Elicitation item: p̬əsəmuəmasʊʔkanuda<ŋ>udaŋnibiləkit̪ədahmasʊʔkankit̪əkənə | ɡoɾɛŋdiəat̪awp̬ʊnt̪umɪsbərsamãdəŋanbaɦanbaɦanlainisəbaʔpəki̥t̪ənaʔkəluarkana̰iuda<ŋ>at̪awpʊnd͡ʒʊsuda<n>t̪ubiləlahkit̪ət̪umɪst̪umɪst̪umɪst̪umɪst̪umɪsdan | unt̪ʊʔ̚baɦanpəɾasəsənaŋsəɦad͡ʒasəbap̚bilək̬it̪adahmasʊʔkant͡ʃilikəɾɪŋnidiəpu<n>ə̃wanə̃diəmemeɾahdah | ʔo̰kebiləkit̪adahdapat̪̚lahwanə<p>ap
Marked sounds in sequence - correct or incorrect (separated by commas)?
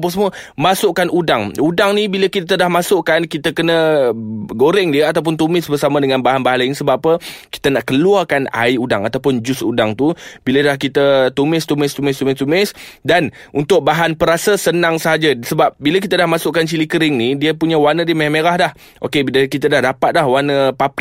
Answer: correct, correct, incorrect, incorrect, correct